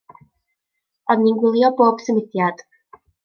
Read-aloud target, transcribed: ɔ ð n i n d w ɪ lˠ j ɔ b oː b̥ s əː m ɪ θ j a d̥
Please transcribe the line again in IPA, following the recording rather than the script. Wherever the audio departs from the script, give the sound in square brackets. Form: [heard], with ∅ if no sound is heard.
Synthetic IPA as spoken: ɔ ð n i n [ɡ] w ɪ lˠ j ɔ b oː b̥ s [ə] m ɪ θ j a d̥